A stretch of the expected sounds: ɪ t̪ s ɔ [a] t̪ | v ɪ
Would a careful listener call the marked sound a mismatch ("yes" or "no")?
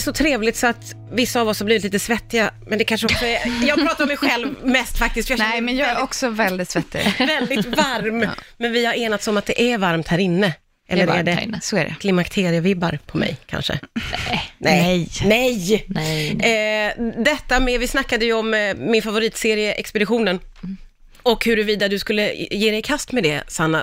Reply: no